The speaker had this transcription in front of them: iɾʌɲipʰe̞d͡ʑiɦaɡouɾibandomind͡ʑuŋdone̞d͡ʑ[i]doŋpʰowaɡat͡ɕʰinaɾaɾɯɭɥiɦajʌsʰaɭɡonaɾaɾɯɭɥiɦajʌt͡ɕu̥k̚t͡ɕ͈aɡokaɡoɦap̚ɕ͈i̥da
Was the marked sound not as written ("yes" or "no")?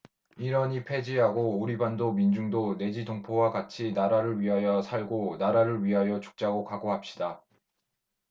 no